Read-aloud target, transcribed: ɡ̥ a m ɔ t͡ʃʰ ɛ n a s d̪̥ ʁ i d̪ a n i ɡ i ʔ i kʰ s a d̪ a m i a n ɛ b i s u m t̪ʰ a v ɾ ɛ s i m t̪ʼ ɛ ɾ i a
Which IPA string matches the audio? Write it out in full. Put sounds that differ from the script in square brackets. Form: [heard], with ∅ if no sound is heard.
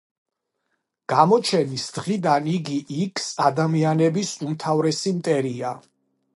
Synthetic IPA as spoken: ɡ̥ a m ɔ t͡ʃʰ ɛ n [i] s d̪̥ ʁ i d̪ a n i ɡ i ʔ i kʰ s a d̪ a m i a n ɛ b i s u m t̪ʰ a v ɾ ɛ s i m t̪ʼ ɛ ɾ i a